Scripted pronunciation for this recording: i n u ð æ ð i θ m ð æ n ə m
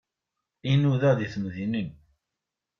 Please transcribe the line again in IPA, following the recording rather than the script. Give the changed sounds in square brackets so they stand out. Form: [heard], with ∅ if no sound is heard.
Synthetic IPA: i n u ð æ ð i θ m ð [i] n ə [n]